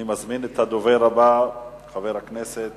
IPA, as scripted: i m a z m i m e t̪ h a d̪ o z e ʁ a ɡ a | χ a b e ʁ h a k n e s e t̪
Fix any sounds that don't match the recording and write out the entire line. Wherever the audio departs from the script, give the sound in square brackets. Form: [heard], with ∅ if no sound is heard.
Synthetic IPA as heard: i m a z m i [n] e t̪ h a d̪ o [v] e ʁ a [b] a | χ a [v] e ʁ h a k n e s e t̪